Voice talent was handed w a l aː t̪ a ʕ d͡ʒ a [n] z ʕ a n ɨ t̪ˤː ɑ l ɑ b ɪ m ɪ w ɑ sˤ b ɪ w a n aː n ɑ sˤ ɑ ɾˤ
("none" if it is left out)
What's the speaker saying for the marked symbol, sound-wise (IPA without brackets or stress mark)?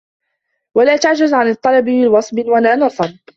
none